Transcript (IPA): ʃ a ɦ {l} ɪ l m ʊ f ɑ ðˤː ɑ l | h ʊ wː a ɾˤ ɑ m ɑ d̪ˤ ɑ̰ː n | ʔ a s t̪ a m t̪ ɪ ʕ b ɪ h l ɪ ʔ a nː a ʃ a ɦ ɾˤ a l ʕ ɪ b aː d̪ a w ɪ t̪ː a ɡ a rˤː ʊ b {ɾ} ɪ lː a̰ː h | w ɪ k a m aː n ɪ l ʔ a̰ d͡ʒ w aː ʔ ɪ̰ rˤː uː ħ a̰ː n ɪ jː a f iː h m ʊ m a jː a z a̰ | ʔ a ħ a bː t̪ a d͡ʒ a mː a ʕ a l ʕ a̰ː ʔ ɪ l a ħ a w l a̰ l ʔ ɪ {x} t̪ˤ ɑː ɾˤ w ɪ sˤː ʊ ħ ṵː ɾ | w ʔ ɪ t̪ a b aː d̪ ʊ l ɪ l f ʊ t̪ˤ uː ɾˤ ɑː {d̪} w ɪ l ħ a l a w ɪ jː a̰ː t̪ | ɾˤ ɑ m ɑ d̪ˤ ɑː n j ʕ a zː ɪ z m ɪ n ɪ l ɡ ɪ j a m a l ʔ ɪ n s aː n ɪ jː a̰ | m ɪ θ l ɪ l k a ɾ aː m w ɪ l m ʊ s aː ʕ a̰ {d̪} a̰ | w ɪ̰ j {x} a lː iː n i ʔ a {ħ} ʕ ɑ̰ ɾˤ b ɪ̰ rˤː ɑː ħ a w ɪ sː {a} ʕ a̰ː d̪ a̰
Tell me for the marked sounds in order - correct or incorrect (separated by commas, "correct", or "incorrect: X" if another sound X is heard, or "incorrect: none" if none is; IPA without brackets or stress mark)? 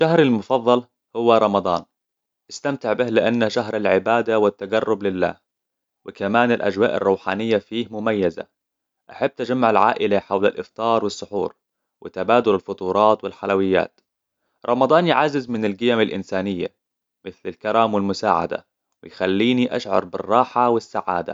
incorrect: ɾ, incorrect: l, incorrect: f, incorrect: t̪, correct, correct, incorrect: ʃ, correct